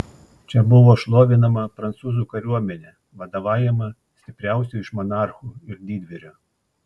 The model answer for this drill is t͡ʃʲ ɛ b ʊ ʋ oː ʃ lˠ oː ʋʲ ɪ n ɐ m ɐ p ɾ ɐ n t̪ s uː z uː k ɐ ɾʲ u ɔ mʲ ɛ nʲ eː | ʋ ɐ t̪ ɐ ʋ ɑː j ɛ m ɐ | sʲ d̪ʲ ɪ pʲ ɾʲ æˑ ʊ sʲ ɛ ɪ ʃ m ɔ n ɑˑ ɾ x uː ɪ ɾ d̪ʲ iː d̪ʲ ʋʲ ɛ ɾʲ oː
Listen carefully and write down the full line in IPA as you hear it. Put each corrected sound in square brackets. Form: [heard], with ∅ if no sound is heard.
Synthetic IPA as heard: t͡ʃʲ ɛ b ʊ ʋ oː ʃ lˠ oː ʋʲ ɪ n ɐ m ɐ p ɾ ɐ n t̪ s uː z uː k ɐ ɾʲ u ɔ mʲ ɛ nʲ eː | ʋ ɐ [d̪] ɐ ʋ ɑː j ɛ m ɐ | sʲ [t̪ʲ] ɪ pʲ ɾʲ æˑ ʊ sʲ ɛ ɪ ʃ m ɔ n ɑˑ ɾ x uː ɪ ɾ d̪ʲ iː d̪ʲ ʋʲ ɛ ɾʲ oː